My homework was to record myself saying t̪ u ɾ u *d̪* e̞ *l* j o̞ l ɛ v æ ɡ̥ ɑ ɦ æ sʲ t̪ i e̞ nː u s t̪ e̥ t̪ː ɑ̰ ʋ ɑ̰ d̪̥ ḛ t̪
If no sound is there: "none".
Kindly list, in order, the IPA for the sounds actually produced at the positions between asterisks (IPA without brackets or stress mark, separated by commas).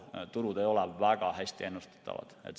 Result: d̪, none